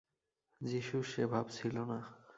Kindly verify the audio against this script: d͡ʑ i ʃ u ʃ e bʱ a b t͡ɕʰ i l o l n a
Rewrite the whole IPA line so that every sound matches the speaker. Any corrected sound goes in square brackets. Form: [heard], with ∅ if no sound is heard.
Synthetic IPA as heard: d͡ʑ i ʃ u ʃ e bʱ a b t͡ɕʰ i l o [∅] n a